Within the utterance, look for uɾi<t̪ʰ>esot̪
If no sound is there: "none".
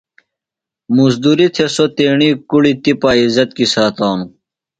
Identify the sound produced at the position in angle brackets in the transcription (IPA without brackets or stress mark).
t̪ʰ